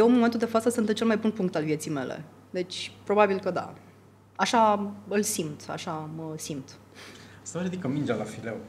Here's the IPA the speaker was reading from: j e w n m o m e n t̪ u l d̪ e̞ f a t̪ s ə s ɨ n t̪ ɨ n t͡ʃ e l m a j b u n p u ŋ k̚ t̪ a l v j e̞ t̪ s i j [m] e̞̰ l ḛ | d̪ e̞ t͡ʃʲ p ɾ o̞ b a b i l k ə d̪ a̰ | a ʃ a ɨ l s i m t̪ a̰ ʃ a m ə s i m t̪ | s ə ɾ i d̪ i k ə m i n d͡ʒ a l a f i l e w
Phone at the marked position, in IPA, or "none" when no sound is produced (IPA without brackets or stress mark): m